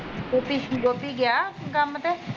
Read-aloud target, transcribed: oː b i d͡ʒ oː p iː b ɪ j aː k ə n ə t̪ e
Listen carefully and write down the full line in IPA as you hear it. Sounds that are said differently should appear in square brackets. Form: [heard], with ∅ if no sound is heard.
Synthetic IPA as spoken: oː [p] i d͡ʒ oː p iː [ɡ] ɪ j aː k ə [m] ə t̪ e